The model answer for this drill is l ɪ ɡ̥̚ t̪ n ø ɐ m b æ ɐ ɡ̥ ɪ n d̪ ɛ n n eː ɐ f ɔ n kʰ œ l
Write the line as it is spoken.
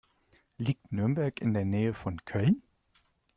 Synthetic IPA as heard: l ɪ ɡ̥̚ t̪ n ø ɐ m b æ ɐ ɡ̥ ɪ n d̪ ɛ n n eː ə f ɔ n kʰ œ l

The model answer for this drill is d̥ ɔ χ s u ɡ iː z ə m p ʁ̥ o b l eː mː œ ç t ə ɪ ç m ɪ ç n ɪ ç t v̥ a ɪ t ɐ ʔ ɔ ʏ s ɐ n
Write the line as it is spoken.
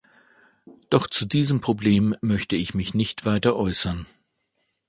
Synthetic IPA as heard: d̥ ɔ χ t͡s u d iː z ə m p ʁ̥ o b l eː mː œ ç t ə ɪ ç m ɪ ç n ɪ ç t v̥ a ɪ t ɐ ʔ ɔ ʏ s ɐ n

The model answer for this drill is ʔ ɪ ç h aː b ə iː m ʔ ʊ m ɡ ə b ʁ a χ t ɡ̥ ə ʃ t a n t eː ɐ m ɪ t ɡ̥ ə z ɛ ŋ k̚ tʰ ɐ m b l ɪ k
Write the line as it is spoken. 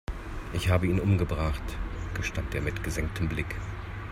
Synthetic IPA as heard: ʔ ɪ ç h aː b ə iː n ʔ ʊ m ɡ ə b ʁ a χ t ɡ̥ ə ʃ t a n t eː ɐ m ɪ t ɡ̥ ə z ɛ ŋ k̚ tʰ ə m b l ɪ k

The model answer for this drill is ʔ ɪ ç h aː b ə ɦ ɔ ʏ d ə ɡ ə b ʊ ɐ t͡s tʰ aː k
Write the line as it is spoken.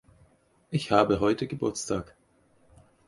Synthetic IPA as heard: ʔ ɪ ç h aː b ə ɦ ɔ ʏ t ə ɡ ə b ʊ ɐ t͡s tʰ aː k

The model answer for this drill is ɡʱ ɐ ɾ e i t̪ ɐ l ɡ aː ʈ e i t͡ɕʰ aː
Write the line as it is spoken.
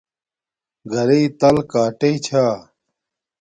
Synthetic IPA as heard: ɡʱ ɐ ɾ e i t̪ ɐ l k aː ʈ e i t͡ɕʰ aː

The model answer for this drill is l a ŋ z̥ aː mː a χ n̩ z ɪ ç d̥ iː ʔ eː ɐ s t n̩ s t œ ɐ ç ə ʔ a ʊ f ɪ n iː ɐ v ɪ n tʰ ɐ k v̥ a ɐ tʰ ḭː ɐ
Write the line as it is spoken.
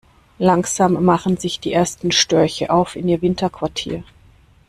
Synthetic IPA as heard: l a ŋ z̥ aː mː a χ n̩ z ɪ ç d̥ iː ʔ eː ɐ s t n̩ ʃ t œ ɐ ç ə ʔ a ʊ f ɪ n iː ɐ v ɪ n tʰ ɐ k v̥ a ɐ tʰ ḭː ɐ

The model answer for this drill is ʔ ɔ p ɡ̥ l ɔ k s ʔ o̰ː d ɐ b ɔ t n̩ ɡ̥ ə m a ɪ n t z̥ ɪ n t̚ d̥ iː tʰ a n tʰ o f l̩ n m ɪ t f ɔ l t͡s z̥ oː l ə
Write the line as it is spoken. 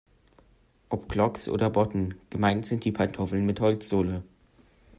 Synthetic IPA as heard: ʔ ɔ p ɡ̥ l ɔ k s ʔ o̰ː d ɐ b ɔ t n̩ ɡ̥ ə m a ɪ n t z̥ ɪ n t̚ d̥ iː pʰ a n tʰ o f l̩ n m ɪ t h ɔ l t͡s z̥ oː l ə

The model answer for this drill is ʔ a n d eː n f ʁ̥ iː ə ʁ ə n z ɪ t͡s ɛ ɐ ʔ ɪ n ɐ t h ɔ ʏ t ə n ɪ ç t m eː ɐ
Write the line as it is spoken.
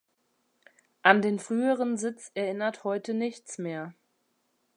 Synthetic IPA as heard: ʔ a n d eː n f ʁ̥ yː ə ʁ ə n z ɪ t͡s ɛ ɐ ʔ ɪ n ɐ t h ɔ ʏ t ə n ɪ ç t͡s m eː ɐ

